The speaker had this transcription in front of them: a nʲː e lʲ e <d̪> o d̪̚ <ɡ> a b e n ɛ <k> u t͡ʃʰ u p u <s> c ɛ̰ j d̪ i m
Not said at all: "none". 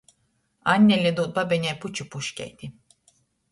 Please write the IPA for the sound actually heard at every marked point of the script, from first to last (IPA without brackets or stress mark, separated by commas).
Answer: d̪, b, p, ʃ